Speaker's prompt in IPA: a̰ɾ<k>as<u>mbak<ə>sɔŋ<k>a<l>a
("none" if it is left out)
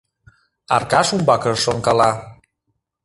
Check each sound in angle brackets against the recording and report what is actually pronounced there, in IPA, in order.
k, u, ə, k, l

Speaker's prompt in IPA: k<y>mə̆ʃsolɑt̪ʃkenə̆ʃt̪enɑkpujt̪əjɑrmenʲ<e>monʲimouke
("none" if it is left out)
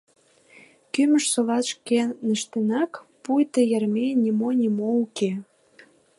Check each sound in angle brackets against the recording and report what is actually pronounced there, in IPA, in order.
y, i

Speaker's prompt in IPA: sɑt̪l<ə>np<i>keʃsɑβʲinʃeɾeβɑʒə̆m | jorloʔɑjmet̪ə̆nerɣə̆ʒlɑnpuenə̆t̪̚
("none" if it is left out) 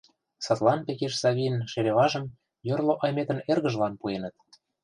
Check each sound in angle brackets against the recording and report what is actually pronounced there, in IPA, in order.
ɑ, e

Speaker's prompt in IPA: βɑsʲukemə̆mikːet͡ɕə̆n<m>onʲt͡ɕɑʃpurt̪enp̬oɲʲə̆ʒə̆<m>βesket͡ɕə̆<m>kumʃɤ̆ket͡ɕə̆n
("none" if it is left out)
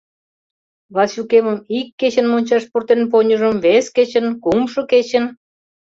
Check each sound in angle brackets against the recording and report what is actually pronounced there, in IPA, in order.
m, m, n

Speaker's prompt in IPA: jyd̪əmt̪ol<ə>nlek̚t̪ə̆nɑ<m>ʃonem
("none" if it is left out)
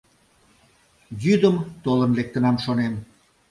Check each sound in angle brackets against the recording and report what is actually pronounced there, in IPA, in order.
ə, m

